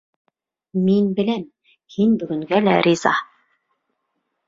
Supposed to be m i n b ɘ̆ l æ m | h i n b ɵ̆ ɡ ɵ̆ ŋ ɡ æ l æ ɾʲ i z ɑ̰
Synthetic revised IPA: m i n b ɘ̆ l æ m | h i n b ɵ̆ ɡ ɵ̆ ŋ ɡ æ l æ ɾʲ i z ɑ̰